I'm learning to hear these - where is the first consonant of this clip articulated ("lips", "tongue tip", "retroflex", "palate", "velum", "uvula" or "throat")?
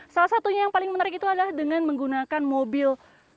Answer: tongue tip